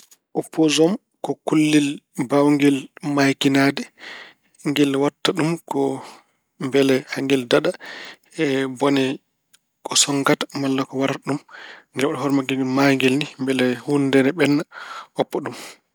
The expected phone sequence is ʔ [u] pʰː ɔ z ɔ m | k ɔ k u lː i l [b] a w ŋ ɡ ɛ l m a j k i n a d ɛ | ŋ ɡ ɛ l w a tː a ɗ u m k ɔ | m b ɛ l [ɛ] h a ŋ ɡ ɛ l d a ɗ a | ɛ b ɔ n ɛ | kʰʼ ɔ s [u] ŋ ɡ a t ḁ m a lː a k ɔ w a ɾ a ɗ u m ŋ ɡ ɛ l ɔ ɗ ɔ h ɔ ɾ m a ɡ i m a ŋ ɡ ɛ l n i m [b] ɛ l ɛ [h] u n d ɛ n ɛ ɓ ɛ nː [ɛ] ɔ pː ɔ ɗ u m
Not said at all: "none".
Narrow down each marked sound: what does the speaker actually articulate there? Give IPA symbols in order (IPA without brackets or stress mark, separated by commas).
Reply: ɔ, b, ɛ, ɔ, b, h, a